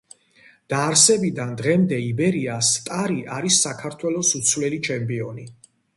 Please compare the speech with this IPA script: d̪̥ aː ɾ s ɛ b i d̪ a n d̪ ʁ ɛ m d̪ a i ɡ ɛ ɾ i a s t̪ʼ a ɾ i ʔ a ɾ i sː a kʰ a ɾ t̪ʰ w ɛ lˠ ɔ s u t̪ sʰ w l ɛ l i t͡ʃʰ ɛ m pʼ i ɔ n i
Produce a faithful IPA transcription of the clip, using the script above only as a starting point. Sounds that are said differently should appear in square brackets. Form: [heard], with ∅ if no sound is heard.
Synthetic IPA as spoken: d̪̥ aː ɾ s ɛ b i d̪ a n d̪ ʁ ɛ m d̪ [ɛ] i [b] ɛ ɾ i a s t̪ʼ a ɾ i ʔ a ɾ i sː a kʰ a ɾ t̪ʰ w ɛ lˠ ɔ s u t̪ sʰ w l ɛ l i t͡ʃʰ ɛ m pʼ i ɔ n i